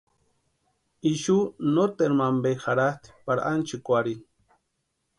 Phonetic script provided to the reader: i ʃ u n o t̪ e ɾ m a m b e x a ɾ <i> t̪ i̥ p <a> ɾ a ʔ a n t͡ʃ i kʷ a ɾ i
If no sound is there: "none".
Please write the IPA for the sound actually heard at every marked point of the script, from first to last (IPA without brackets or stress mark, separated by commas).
a, a